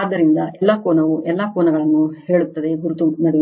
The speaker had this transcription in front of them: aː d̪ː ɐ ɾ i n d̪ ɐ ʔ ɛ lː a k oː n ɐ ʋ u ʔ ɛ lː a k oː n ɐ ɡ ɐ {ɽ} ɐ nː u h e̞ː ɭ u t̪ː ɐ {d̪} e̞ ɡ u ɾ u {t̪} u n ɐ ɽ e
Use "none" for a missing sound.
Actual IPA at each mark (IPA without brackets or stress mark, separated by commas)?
ɭ, d̪, t̪